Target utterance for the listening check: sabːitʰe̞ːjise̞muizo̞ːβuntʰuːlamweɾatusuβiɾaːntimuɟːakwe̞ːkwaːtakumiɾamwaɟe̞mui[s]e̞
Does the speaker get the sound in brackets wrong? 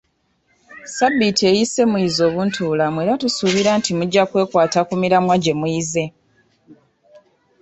yes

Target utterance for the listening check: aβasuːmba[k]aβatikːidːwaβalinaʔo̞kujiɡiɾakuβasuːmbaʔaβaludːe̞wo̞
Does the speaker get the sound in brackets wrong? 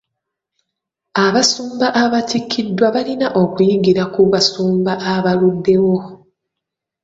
yes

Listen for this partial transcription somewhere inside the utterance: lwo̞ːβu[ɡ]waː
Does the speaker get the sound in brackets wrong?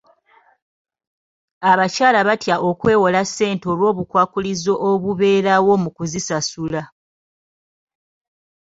yes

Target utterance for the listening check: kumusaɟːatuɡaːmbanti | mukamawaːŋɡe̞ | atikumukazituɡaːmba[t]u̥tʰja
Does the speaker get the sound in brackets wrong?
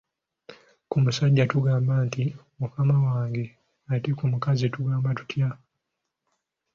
no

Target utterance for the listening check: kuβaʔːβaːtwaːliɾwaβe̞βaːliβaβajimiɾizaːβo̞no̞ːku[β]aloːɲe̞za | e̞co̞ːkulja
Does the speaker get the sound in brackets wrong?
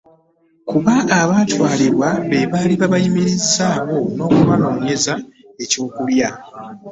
no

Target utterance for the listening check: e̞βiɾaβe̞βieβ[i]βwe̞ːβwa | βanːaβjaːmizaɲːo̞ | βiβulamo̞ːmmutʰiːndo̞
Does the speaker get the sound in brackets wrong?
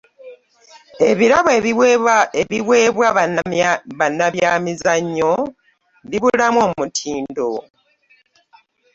no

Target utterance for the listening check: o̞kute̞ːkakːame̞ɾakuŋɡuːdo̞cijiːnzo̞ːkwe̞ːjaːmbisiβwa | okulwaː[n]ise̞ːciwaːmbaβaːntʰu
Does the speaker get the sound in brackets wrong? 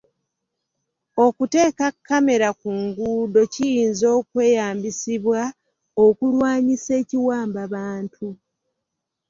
yes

